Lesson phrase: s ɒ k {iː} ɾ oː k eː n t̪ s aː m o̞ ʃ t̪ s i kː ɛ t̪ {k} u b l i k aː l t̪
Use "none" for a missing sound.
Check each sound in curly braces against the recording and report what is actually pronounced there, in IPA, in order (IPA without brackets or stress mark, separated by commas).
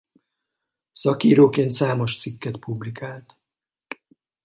iː, p